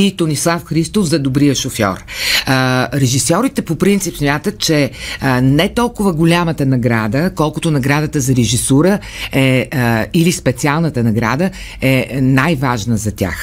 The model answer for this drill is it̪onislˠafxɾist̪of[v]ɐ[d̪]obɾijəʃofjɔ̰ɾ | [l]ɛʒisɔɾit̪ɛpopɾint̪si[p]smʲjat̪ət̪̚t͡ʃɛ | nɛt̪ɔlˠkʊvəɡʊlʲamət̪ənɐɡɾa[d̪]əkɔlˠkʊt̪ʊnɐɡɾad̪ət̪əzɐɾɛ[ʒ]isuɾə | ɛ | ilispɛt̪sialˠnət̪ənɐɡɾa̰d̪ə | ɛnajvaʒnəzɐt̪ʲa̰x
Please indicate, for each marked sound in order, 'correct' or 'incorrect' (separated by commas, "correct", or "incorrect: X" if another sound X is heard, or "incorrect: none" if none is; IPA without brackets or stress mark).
incorrect: z, correct, incorrect: ɾ, correct, correct, correct